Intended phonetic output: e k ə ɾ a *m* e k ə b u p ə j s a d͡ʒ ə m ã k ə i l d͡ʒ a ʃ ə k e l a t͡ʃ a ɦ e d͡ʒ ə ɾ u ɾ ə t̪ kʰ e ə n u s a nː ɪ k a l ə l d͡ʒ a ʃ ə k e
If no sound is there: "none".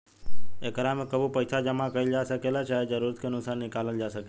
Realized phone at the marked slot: m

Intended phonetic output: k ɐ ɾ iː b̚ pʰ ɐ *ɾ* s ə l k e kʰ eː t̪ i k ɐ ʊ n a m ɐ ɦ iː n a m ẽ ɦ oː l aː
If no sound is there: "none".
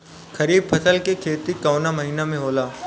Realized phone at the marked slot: none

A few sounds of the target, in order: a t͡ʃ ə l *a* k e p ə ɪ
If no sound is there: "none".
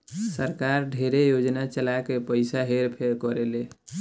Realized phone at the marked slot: a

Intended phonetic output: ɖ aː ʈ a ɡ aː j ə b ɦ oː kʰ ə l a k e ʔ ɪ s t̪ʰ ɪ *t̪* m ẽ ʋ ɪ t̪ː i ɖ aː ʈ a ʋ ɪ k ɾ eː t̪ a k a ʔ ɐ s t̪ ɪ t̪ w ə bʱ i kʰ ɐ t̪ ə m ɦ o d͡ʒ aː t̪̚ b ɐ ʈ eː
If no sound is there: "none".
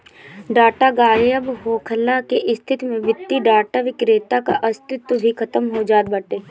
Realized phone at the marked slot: t̪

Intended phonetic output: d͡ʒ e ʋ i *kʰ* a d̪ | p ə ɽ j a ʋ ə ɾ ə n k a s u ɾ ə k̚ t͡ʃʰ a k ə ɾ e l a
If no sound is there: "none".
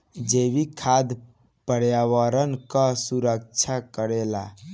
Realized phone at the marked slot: kʰ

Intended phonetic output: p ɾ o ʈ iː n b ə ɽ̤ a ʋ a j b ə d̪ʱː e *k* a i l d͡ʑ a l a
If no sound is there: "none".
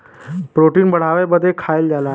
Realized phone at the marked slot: kʰ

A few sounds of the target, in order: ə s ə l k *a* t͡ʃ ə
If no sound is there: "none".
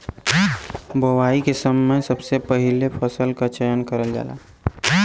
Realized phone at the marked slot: a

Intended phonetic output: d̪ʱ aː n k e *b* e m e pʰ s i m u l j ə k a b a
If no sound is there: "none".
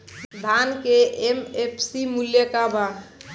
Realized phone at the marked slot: none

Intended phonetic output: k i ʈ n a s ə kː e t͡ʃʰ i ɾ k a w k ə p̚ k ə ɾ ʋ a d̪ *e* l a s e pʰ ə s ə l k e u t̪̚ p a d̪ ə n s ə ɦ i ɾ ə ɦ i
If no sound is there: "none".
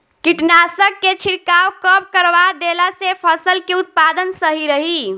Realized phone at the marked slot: e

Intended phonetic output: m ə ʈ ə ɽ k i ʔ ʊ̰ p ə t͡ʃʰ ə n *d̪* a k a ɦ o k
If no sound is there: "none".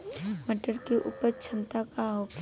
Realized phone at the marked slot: t̪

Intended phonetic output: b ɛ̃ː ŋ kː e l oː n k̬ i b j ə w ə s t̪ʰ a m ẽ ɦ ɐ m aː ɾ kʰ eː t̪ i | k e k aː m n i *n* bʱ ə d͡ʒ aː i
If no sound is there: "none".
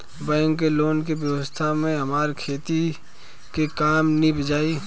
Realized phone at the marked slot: none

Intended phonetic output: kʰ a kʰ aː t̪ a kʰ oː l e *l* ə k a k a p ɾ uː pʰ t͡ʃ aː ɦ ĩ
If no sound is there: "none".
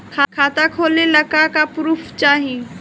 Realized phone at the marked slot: l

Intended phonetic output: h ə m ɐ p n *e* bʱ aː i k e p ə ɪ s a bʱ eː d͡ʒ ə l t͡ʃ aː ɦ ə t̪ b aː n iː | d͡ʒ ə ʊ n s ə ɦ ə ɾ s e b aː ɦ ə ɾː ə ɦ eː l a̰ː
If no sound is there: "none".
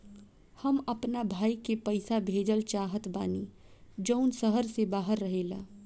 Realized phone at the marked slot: a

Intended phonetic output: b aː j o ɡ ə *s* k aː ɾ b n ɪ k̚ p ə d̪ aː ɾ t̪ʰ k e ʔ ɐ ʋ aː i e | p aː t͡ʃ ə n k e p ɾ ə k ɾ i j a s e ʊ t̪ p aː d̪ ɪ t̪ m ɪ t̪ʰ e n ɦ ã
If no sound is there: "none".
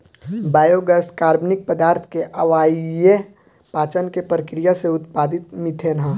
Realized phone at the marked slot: s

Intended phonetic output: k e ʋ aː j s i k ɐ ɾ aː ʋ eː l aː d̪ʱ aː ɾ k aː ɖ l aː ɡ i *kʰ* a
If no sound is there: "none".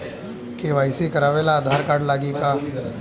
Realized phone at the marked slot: k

